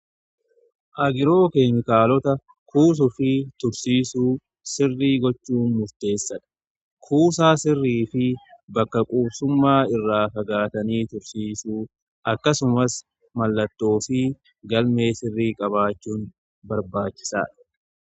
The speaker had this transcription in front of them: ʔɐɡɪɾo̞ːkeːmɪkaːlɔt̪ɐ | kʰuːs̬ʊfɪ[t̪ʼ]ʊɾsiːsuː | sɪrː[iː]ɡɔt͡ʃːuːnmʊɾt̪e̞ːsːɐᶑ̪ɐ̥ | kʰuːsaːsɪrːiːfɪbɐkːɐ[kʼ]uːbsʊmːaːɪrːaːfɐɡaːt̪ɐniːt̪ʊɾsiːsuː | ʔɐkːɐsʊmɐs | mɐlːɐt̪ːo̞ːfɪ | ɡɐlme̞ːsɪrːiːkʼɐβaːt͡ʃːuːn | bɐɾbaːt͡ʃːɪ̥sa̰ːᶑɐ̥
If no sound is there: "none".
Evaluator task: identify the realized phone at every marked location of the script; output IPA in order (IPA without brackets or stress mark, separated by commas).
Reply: t̪, iː, kʼ